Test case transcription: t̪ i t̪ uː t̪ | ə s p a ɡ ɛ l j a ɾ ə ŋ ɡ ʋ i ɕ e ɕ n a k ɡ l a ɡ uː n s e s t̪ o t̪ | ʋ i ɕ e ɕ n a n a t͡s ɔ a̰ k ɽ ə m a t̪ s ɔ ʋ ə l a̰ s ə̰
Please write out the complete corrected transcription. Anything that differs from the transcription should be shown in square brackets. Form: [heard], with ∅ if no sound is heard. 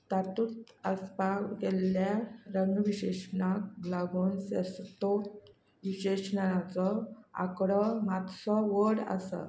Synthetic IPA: t̪ [a] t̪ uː t̪ | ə s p a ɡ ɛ l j a ɾ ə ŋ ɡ ʋ i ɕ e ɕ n a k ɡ l a ɡ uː n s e s t̪ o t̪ | ʋ i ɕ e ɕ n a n a t͡s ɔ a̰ k ɽ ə m a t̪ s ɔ ʋ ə [ɽ] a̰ s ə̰